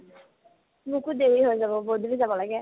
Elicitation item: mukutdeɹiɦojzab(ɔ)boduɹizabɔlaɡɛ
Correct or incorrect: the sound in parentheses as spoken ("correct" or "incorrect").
correct